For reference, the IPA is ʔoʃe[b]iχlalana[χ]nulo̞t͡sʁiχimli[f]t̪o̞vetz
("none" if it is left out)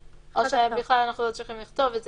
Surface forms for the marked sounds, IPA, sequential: b, χ, χ

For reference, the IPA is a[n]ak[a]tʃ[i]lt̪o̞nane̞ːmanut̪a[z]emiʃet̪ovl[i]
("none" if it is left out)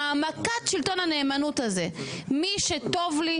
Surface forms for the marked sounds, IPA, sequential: m, a, i, z, i

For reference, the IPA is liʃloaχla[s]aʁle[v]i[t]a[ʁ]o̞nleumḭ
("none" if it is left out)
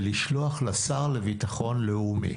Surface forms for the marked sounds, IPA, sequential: s, v, t, χ

